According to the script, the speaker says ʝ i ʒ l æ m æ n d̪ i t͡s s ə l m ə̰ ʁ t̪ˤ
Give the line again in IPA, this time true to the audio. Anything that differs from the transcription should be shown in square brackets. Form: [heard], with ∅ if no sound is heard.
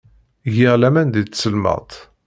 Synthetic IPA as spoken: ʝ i [ʁ] l æ m æ n d̪ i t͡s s ə l m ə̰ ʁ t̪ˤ